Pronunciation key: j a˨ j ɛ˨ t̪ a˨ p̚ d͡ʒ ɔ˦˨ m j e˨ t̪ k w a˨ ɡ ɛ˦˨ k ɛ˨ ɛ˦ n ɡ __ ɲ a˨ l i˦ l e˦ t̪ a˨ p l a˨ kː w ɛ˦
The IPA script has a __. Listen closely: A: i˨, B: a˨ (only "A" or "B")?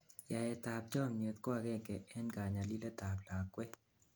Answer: B